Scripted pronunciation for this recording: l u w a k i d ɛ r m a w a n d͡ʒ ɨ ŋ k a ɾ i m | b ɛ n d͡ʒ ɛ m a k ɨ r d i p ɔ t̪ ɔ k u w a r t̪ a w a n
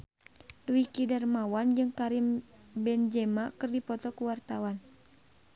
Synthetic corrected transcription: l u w i k i d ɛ r m a w a n d͡ʒ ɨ ŋ k a ɾ i m | b ɛ n d͡ʒ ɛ m a k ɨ r d i p ɔ t̪ ɔ k u w a r t̪ a w a n

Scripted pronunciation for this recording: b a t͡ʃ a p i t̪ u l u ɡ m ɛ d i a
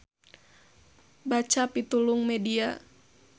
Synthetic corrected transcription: b a t͡ʃ a p i t̪ u l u ŋ m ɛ d i a

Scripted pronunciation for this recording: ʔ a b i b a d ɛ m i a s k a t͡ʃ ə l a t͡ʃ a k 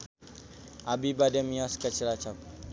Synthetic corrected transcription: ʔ a b i b a d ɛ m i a s k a t͡ʃ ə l a t͡ʃ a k

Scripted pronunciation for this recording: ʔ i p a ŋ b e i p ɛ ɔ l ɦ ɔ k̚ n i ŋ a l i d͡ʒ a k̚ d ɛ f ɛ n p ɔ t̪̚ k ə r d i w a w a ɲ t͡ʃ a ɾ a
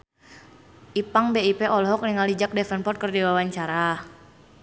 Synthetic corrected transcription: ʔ i p a ŋ b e i p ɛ ɔ l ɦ ɔ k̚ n i ŋ a l i d͡ʒ a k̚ d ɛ f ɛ n p ɔ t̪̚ k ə r d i w a w a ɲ t͡ʃ a ɾ a

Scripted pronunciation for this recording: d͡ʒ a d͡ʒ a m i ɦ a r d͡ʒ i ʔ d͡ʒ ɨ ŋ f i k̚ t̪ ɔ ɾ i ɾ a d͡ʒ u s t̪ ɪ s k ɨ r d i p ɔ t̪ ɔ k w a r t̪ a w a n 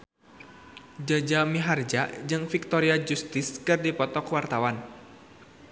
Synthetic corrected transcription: d͡ʒ a d͡ʒ a m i ɦ a r d͡ʒ a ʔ d͡ʒ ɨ ŋ f i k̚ t̪ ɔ ɾ i a d͡ʒ u s t̪ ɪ s k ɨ r d i p ɔ t̪ ɔ k w a r t̪ a w a n

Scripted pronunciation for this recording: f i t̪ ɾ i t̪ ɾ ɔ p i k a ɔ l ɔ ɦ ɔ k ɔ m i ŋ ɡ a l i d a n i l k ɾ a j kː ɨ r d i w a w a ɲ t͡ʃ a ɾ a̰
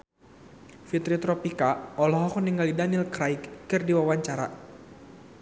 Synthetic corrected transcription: f i t̪ ɾ i t̪ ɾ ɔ p i k a ɔ l ɔ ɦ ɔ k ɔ n i ŋ ɡ a l i d a n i l k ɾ a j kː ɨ r d i w a w a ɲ t͡ʃ a ɾ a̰

